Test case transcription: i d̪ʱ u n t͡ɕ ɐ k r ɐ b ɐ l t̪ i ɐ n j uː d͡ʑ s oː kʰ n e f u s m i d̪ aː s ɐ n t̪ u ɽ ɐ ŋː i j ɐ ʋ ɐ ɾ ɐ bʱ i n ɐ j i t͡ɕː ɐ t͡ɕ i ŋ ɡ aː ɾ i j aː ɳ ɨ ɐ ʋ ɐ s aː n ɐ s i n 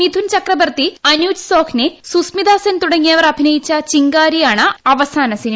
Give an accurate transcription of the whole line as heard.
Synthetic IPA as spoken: i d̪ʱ u n t͡ɕ ɐ k r ɐ b ɐ r t̪ i ɐ n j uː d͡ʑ s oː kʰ n e s u s m i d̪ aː s ɐ n t̪ u ɽ ɐ ŋː i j ɐ ʋ ɐ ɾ ɐ bʱ i n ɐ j i t͡ɕː ɐ t͡ɕ i ŋ ɡ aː ɾ i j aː ɳ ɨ ɐ ʋ ɐ s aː n ɐ s i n